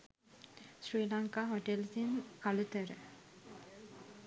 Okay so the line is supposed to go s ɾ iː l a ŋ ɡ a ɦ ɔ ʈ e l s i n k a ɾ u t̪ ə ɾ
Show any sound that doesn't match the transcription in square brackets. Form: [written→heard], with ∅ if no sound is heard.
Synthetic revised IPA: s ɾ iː l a ŋ [ɡ→k] a ɦ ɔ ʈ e l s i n k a [ɾ→l] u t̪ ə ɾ